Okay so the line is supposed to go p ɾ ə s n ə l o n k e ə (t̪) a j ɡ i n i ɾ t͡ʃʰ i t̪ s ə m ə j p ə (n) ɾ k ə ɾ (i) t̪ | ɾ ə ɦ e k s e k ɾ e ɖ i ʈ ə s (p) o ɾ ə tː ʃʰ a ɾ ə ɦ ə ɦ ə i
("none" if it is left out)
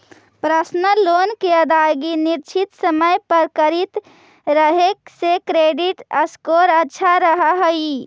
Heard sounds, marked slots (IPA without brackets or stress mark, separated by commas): d̪, none, i, k